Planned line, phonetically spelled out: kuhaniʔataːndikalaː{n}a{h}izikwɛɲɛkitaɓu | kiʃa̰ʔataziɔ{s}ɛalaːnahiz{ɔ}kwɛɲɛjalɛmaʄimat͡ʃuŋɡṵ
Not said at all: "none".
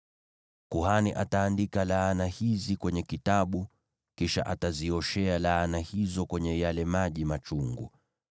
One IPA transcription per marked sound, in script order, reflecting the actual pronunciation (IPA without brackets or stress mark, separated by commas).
n, h, ʃ, ɔ